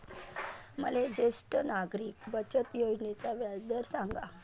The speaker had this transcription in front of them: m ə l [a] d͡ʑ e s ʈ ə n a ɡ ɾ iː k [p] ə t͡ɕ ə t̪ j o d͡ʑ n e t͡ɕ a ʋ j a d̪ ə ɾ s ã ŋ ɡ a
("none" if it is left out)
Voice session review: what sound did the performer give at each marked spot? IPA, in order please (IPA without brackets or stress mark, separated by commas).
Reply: e, b